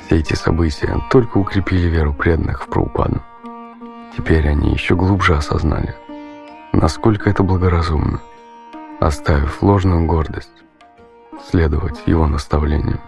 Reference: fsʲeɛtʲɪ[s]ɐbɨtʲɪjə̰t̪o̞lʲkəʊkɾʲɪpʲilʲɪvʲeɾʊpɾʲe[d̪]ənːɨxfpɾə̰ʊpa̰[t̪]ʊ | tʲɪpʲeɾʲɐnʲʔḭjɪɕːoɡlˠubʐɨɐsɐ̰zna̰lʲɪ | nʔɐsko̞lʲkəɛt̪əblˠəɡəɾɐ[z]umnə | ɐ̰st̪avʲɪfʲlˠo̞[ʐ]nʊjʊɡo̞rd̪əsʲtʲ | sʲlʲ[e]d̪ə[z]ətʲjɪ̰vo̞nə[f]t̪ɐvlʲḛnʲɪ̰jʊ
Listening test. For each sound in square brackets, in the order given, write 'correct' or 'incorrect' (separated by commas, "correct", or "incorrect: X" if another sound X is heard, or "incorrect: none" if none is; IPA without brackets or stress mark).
correct, correct, incorrect: d̪, correct, correct, correct, incorrect: v, incorrect: s